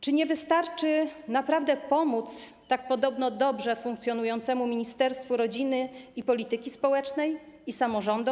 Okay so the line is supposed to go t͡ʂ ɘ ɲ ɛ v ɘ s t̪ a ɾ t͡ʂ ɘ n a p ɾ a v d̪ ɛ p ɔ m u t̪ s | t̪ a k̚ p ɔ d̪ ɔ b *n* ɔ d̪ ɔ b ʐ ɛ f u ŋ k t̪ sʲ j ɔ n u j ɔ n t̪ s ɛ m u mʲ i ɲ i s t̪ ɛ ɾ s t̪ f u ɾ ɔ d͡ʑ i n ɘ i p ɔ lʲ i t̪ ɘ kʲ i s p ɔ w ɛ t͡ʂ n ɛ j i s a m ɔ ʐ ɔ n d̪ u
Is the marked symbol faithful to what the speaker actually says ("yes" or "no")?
yes